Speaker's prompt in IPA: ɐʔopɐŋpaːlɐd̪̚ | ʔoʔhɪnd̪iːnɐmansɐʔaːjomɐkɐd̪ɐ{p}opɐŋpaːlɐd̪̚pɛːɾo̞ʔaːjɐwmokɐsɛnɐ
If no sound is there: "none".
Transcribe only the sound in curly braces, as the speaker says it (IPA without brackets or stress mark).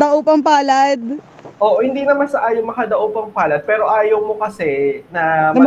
ʔ